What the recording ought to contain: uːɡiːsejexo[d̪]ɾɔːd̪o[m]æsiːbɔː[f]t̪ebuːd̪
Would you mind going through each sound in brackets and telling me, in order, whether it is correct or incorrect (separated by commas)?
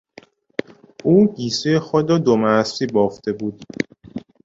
correct, correct, correct